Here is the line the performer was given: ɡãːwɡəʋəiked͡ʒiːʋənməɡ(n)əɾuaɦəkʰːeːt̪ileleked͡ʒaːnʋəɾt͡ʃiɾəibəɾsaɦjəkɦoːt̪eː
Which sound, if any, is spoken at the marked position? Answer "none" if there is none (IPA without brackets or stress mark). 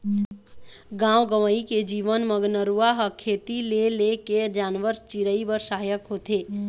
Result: n